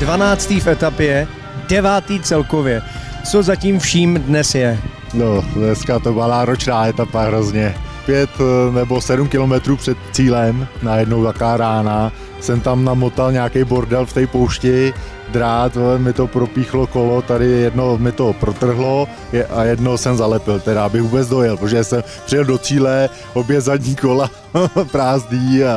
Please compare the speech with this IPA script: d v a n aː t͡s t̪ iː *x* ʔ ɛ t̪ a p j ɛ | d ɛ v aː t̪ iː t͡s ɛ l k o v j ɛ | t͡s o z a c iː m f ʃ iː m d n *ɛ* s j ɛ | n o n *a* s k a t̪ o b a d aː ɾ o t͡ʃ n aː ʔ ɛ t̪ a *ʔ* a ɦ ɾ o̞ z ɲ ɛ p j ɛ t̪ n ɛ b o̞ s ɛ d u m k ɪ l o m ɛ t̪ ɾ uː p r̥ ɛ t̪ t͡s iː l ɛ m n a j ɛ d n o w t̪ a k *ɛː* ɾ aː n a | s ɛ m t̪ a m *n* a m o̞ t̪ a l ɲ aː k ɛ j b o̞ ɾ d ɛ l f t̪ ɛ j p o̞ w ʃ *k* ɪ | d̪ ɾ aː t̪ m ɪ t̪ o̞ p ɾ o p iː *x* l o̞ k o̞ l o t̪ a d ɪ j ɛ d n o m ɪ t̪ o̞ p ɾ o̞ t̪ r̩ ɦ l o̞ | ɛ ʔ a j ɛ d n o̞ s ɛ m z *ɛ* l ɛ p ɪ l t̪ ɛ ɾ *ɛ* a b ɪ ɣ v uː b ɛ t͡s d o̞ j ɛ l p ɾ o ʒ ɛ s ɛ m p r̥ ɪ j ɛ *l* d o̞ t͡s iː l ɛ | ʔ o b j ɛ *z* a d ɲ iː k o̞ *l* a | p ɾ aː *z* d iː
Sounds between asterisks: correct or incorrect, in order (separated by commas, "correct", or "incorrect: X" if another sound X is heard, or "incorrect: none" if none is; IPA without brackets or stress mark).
incorrect: f, correct, incorrect: ɛ, incorrect: p, incorrect: aː, correct, incorrect: c, correct, incorrect: a, incorrect: a, correct, correct, correct, correct